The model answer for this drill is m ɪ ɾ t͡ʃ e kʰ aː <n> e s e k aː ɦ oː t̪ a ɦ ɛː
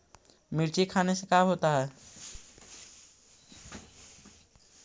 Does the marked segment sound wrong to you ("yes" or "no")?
no